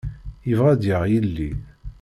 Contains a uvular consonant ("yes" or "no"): yes